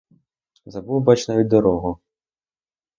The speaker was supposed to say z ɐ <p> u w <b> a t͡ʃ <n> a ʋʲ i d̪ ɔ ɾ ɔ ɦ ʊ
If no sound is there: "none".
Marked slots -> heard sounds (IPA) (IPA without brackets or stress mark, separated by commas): b, b, n